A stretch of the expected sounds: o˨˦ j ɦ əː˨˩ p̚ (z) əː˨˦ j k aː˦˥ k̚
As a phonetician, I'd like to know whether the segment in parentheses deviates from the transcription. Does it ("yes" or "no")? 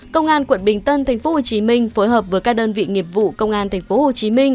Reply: yes